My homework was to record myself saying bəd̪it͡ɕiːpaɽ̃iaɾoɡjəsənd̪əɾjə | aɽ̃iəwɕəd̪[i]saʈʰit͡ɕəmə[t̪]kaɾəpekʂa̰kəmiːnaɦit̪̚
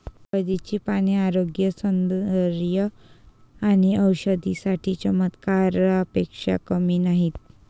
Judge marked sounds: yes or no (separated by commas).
yes, yes